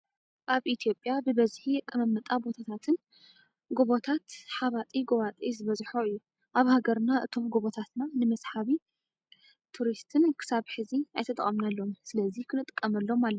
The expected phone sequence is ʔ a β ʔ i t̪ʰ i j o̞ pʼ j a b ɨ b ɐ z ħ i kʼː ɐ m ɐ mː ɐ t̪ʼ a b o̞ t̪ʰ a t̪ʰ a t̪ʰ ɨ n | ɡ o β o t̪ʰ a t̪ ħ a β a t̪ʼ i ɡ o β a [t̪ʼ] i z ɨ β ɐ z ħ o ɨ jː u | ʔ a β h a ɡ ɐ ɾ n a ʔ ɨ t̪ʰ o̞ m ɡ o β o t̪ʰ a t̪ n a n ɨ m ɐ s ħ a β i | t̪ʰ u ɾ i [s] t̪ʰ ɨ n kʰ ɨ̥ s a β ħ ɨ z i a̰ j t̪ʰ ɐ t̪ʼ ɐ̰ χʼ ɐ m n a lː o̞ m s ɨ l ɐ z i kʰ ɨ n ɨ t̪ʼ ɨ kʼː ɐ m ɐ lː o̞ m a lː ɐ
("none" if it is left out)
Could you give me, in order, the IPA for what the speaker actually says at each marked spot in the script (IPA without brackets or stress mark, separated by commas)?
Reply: t̪ʼ, s